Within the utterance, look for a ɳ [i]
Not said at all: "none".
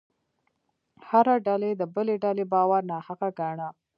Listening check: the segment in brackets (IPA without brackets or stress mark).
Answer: a